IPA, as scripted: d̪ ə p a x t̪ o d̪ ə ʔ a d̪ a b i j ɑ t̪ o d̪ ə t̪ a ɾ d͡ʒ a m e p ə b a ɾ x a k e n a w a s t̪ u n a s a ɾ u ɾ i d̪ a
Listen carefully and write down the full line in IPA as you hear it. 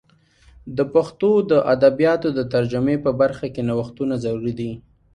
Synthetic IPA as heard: d̪ ə p a x t̪ o d̪ ə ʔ a d̪ a b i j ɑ t̪ o d̪ ə t̪ a ɾ d͡ʒ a m e p ə b a ɾ x a k e n a w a x t̪ u n a z a ɾ u ɾ i d̪ i